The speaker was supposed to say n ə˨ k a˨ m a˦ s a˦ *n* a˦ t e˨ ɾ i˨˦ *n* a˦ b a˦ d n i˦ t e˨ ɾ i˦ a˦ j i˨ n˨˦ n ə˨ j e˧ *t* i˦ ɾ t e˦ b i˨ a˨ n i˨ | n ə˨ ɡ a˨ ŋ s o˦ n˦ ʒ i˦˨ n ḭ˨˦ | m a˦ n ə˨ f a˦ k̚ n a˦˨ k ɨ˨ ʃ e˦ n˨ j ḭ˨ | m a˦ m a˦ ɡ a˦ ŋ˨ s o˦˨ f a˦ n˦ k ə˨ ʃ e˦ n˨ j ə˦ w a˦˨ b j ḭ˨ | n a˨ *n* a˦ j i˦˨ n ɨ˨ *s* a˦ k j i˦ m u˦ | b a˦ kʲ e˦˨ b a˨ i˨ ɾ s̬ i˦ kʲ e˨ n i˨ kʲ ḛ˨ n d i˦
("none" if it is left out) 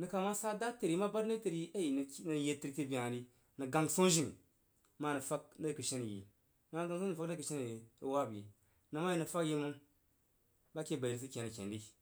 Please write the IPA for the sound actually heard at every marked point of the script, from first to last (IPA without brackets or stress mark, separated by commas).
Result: d, m, t, m, f